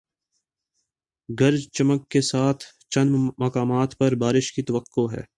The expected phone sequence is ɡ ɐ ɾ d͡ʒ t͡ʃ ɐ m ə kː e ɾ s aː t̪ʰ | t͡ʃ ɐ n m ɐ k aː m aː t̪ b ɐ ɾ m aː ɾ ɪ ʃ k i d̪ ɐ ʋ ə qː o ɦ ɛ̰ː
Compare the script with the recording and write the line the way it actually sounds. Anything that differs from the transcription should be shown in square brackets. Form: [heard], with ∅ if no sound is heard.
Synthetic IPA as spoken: ɡ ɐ ɾ d͡ʒ t͡ʃ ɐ m ə kː e [∅] s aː t̪ʰ | t͡ʃ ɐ n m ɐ k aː m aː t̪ [p] ɐ ɾ [b] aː ɾ ɪ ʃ k i [t̪] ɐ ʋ ə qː o ɦ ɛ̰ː